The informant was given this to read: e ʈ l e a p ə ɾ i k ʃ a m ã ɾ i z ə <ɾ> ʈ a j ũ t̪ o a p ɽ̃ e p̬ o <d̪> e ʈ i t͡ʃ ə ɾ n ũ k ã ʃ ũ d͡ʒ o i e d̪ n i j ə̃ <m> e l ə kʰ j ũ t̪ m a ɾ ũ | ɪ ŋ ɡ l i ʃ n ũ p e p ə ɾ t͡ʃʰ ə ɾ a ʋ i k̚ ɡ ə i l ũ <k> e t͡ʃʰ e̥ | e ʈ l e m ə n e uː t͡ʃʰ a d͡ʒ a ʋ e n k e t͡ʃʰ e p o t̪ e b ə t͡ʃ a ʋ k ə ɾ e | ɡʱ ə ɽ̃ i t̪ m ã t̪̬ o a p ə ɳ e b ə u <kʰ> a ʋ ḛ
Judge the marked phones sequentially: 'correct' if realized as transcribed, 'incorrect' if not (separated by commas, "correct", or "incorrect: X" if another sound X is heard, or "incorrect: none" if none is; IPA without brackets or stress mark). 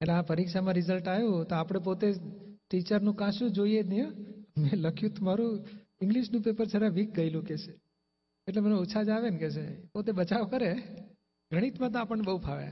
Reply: incorrect: l, incorrect: t̪, correct, correct, incorrect: pʰ